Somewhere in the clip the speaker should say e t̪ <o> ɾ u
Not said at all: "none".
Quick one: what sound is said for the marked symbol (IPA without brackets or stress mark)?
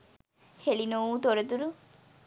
u